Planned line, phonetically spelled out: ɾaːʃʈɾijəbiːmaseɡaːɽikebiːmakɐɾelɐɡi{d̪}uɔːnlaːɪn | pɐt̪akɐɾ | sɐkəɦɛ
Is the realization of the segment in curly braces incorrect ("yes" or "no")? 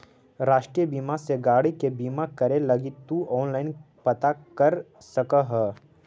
yes